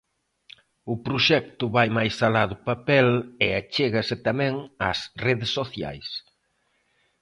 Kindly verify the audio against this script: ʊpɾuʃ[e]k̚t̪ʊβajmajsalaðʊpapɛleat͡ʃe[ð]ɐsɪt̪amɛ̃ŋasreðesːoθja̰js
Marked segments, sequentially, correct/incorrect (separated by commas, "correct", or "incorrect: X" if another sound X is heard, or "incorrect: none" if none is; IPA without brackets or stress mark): incorrect: ɛ, incorrect: ɣ